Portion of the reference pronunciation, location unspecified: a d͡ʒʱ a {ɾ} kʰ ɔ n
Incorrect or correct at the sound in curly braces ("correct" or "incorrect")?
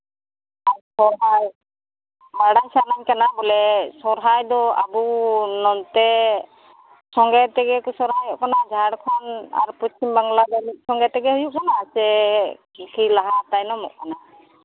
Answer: incorrect